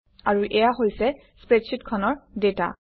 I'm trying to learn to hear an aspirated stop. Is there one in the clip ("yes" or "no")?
yes